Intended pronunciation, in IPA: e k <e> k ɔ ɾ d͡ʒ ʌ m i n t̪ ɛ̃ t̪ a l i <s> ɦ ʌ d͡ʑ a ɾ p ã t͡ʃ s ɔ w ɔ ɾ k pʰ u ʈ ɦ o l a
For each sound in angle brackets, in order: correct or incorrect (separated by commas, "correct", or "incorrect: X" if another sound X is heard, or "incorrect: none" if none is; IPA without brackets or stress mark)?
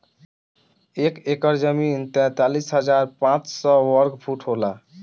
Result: correct, correct